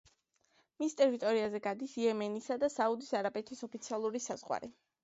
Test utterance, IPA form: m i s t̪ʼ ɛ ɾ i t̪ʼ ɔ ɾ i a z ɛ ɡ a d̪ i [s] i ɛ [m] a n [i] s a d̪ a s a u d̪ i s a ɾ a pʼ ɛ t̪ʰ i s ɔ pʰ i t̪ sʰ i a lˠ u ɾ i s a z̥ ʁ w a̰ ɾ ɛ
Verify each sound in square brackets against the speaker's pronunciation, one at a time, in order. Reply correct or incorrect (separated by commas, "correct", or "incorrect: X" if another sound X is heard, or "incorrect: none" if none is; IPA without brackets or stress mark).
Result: correct, correct, correct